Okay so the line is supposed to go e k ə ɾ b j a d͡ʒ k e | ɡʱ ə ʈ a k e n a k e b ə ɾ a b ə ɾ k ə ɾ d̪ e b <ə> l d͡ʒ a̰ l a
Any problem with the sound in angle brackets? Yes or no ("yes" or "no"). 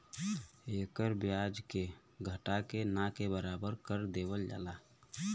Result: no